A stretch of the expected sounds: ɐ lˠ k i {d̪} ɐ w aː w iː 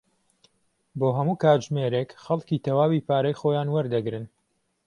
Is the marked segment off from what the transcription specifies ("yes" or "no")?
yes